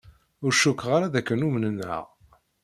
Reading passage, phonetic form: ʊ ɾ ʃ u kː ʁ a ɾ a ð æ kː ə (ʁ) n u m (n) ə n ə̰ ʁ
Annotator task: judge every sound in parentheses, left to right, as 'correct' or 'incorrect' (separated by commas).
incorrect, correct